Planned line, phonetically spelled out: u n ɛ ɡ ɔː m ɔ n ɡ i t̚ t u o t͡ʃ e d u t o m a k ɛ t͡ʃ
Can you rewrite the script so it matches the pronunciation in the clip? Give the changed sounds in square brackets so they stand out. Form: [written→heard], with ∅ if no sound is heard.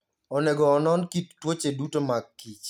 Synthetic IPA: [u→ɔ] n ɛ ɡ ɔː [m→n] ɔ n [ɡ→k] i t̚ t [u→w] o t͡ʃ e d u t o m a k [ɛ→i] t͡ʃ